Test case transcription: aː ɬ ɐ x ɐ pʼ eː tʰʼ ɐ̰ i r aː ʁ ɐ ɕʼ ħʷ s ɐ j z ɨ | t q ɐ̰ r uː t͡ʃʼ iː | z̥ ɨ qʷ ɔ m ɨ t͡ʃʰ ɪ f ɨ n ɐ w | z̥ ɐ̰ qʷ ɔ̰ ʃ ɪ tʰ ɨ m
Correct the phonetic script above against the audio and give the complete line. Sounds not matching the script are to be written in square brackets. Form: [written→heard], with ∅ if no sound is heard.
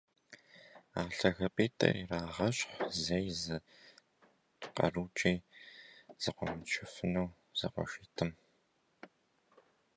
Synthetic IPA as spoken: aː ɬ ɐ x ɐ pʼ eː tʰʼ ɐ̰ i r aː ʁ ɐ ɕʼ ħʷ [s→z] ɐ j z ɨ | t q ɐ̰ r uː t͡ʃʼ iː | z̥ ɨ qʷ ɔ m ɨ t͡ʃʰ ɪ f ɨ n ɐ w | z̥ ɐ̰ qʷ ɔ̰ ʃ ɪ tʰ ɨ m